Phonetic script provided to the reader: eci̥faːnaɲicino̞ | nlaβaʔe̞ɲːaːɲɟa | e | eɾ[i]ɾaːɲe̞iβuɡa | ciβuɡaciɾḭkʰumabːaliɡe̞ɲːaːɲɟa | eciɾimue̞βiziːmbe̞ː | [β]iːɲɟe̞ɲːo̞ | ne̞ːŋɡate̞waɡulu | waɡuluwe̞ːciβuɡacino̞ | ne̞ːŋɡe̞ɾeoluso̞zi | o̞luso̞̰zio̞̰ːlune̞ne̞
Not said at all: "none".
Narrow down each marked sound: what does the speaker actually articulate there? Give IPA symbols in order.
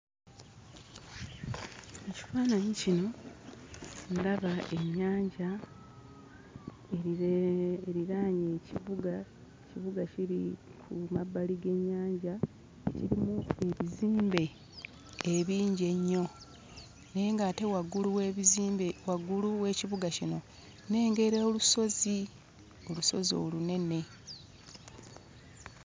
i, β

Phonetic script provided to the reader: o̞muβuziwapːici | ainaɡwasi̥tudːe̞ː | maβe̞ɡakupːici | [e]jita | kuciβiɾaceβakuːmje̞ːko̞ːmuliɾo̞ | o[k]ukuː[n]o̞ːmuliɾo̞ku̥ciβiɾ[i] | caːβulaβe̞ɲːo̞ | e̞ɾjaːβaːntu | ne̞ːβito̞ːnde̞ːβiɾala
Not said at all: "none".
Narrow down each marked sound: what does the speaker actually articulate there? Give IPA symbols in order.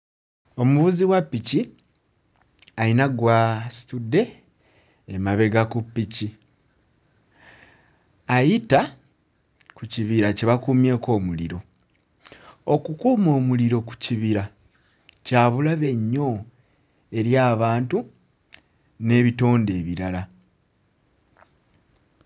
a, k, m, a

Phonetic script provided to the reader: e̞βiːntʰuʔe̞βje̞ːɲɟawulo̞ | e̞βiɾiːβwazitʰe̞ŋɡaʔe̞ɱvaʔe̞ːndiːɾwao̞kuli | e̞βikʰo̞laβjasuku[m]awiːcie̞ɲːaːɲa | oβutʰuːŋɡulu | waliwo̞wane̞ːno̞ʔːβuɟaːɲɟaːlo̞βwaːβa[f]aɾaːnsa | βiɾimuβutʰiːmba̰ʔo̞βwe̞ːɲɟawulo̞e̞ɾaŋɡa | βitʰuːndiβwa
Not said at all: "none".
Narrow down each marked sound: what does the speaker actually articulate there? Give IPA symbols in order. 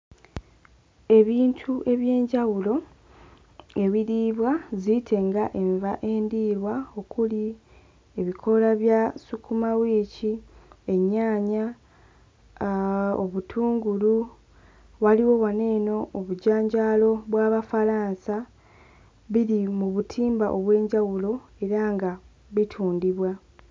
m, f

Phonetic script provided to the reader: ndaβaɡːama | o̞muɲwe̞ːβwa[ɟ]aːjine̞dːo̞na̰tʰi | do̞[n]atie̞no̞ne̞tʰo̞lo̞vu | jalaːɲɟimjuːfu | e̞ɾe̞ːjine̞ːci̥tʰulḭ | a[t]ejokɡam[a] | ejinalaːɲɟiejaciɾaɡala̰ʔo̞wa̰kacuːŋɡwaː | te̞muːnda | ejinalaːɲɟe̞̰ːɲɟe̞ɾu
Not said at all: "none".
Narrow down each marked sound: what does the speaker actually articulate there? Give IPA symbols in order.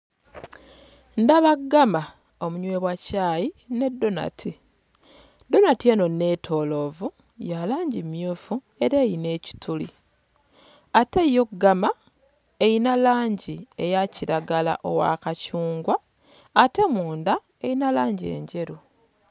c, n, t, a

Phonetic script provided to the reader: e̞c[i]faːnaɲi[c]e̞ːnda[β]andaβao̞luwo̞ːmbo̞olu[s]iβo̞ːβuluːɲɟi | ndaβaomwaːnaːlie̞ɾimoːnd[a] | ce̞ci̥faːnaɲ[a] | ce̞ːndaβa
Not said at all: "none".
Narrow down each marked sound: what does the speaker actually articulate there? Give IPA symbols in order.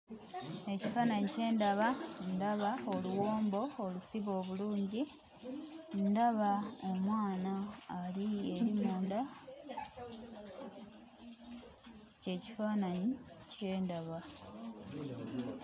i, c, β, s, a, i

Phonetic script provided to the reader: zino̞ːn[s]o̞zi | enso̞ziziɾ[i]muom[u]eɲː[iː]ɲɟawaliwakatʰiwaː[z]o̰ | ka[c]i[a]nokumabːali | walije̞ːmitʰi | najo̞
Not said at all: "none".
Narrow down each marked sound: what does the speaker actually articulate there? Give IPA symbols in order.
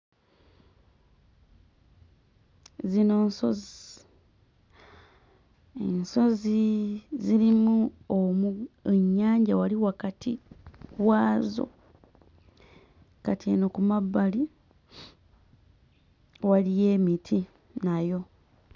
s, i, u, aː, z, t, e

